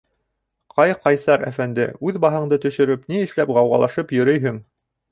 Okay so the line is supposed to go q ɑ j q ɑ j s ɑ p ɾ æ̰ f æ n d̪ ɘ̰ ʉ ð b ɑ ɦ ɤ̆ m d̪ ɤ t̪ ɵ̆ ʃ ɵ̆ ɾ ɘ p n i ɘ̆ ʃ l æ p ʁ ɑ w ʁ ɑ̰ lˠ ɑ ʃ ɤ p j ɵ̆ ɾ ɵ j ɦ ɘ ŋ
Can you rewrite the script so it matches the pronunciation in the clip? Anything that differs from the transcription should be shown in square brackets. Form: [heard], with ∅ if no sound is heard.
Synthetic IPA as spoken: q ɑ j q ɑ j s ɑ [∅] ɾ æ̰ f æ n d̪ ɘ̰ ʉ ð b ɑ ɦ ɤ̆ [ɴ] d̪ ɤ t̪ ɵ̆ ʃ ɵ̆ ɾ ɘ p n i ɘ̆ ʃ l æ p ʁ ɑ w ʁ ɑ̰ lˠ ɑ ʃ ɤ p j ɵ̆ ɾ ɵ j ɦ ɘ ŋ